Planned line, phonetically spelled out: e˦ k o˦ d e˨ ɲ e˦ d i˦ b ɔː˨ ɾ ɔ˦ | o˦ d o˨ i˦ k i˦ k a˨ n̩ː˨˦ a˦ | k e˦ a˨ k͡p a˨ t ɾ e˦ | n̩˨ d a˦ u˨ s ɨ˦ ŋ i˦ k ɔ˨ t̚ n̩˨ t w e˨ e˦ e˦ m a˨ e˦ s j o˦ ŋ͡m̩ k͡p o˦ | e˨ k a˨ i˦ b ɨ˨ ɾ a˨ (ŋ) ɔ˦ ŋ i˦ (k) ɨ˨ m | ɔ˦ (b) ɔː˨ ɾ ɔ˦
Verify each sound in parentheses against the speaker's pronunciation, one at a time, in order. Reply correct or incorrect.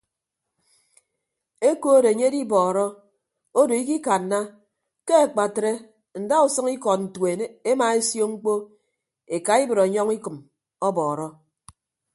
incorrect: ɲ, correct, correct

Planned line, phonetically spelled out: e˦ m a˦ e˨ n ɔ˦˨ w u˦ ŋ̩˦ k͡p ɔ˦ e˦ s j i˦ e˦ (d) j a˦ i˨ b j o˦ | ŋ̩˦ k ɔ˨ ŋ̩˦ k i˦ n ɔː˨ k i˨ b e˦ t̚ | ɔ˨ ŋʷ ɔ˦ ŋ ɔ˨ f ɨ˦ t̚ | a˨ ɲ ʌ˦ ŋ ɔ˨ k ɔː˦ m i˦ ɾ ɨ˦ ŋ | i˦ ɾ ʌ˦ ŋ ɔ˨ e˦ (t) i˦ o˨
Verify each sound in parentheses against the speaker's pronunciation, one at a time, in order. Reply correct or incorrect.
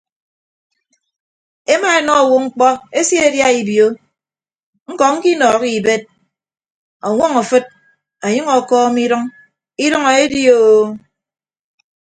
correct, incorrect: d

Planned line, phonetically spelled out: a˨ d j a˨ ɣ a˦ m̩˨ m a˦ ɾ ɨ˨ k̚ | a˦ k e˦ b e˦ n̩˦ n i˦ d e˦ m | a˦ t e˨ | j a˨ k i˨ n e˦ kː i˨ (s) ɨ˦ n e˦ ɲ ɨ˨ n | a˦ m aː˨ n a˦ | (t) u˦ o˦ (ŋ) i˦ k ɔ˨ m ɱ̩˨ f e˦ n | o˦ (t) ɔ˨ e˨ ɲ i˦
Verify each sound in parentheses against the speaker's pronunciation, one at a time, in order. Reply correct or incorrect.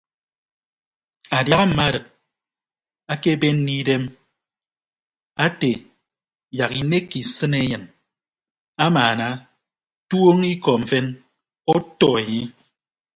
correct, correct, correct, correct

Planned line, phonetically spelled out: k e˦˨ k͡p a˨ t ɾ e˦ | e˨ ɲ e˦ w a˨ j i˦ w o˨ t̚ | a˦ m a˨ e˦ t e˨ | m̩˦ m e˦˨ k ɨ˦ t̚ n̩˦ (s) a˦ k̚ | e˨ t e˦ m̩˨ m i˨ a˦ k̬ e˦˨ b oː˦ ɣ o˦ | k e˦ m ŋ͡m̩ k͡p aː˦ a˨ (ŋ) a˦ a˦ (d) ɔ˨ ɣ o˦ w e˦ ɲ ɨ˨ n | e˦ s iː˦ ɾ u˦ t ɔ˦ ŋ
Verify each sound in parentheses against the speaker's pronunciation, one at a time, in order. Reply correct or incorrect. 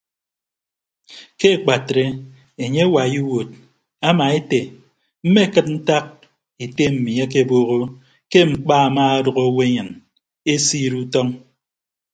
incorrect: t, incorrect: m, correct

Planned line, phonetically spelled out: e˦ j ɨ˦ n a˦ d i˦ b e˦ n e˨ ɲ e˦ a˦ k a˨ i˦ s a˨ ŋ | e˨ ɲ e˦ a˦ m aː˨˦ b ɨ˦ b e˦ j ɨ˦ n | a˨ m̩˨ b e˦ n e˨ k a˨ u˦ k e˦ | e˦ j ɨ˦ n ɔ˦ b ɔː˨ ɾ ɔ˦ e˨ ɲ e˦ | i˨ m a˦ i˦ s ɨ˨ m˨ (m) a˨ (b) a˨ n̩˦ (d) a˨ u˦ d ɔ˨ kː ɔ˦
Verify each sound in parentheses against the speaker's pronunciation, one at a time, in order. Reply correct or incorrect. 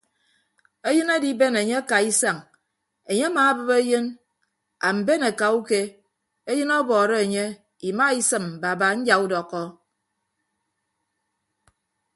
incorrect: b, correct, incorrect: d͡ʒ

